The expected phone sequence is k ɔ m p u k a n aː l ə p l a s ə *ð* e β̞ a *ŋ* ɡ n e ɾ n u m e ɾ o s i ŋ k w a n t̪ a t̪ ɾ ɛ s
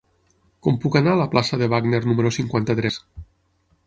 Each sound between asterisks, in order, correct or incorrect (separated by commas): correct, incorrect